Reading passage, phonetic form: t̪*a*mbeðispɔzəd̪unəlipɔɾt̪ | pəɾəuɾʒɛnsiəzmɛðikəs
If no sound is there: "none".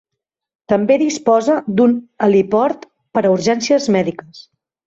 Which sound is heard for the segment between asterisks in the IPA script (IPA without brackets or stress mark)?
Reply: ə